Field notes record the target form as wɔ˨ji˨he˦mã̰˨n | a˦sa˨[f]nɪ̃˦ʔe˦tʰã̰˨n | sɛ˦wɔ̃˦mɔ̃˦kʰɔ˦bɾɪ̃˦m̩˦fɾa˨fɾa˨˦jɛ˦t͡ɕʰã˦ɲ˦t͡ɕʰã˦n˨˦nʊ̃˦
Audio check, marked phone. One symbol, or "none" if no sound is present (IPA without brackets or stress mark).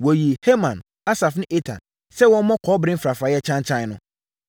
f